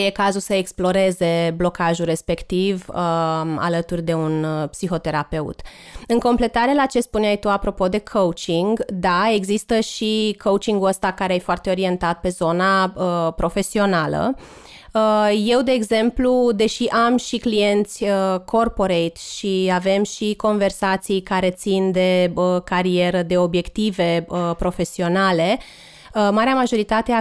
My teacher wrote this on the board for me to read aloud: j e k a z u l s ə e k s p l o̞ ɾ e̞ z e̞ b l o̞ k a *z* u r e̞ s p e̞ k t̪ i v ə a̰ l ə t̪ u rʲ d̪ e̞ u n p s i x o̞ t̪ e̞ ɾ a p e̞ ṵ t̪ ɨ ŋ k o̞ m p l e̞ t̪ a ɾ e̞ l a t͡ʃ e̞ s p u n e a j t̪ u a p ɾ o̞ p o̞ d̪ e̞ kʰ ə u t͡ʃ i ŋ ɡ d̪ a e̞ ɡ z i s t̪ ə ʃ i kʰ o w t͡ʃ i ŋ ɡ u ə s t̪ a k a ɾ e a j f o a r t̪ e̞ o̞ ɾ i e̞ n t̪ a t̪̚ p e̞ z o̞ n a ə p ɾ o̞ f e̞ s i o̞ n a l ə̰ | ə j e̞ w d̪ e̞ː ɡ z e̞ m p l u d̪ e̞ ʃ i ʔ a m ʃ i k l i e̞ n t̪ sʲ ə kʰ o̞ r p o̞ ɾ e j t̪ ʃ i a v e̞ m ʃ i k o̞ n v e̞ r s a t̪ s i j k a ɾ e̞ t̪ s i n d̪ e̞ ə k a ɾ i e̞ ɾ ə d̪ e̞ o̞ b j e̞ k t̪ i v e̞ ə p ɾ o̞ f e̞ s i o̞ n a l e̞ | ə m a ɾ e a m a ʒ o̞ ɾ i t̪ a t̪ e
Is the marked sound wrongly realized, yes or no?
yes